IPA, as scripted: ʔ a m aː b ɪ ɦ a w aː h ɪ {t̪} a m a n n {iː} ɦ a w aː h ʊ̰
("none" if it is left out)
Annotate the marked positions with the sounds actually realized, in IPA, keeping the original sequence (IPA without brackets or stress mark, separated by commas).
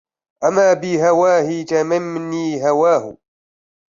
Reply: t̪, iː